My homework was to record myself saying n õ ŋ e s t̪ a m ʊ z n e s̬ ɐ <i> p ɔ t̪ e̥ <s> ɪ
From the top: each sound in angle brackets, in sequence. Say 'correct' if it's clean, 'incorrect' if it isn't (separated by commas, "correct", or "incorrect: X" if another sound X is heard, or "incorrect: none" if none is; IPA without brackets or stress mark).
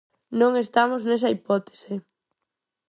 correct, correct